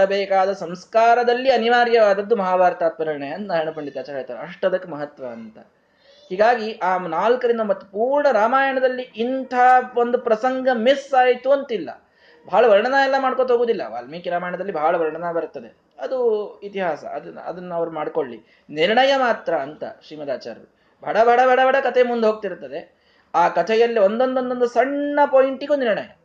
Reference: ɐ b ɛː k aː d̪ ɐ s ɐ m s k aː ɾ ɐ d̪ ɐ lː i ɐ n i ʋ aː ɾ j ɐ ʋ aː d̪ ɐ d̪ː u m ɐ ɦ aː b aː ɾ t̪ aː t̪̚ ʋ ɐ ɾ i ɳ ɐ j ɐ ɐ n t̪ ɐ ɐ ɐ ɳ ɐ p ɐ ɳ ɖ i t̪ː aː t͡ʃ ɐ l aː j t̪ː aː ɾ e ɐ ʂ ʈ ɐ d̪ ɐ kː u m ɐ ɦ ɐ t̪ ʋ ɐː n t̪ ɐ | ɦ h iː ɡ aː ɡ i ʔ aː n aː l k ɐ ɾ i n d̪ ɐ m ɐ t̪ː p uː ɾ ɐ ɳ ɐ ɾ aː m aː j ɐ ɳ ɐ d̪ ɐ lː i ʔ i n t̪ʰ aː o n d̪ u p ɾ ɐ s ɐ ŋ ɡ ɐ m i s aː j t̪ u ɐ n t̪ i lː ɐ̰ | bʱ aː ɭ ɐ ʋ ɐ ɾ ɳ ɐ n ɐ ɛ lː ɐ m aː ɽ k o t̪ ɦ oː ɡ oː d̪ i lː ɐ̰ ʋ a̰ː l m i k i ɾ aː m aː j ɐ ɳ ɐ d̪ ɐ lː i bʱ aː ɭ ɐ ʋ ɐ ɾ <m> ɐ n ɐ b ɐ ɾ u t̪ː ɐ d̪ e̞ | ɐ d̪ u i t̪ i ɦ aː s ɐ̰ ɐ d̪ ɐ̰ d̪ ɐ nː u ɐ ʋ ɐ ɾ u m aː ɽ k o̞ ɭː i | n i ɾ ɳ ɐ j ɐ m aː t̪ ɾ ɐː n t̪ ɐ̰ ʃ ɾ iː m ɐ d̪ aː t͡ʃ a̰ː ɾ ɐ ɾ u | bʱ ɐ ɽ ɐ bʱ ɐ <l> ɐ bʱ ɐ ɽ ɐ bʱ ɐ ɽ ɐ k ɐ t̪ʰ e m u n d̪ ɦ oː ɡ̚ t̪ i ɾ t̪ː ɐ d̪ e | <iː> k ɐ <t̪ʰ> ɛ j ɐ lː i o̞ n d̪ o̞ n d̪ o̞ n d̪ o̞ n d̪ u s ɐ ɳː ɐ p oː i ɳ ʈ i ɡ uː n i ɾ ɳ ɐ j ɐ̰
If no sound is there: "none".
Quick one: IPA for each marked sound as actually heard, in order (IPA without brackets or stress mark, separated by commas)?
ɳ, ɽ, aː, t̪ʰ